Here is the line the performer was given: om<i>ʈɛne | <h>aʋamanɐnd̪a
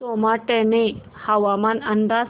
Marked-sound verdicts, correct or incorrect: incorrect: a, correct

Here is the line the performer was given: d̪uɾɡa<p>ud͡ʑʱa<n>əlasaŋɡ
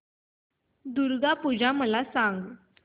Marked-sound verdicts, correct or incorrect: correct, incorrect: m

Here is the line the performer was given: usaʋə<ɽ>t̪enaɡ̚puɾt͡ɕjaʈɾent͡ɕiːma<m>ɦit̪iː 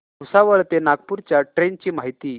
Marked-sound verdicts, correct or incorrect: incorrect: ɭ, incorrect: none

